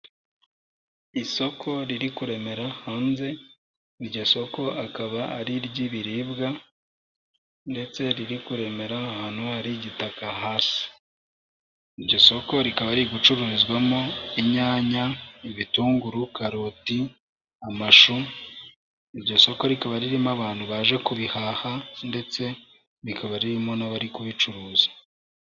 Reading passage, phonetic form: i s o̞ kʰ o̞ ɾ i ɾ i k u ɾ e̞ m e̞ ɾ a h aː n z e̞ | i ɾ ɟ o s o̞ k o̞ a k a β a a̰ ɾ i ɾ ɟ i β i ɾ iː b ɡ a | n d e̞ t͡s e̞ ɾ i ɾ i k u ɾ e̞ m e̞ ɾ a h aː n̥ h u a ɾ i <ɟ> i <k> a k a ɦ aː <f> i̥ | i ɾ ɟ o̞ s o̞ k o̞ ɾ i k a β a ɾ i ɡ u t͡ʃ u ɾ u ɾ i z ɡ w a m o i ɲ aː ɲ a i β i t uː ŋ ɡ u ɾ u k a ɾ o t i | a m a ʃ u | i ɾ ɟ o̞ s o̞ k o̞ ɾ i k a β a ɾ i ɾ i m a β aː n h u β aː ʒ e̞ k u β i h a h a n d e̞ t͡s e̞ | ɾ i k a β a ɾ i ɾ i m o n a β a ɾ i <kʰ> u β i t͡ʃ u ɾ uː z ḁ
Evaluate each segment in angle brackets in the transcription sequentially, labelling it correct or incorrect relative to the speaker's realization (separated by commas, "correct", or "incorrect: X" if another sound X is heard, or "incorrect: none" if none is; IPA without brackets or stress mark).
correct, incorrect: t, incorrect: s, incorrect: k